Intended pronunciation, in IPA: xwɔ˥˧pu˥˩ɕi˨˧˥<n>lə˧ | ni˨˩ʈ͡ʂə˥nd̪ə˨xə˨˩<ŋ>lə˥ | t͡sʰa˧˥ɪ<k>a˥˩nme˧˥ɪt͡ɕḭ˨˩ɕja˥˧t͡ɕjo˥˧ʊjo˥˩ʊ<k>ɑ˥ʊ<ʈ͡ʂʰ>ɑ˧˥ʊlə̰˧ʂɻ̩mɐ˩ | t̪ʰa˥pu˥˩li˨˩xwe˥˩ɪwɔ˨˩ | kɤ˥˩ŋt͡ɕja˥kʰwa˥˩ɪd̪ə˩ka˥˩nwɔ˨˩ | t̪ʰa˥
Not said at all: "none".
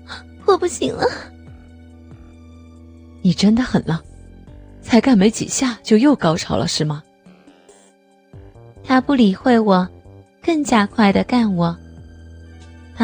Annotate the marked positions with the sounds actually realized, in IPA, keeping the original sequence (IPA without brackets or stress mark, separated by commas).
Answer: ŋ, n, k, k, ʈ͡ʂʰ